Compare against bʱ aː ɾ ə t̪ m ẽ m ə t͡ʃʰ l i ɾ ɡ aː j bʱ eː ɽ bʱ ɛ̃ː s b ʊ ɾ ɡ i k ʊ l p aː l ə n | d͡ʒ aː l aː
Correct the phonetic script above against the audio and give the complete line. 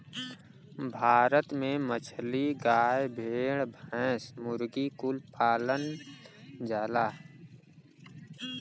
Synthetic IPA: bʱ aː ɾ ə t̪ m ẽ m ə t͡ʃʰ l i ɡ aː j bʱ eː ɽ bʱ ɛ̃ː s m ʊ ɾ ɡ i k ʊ l p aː l ə n | d͡ʒ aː l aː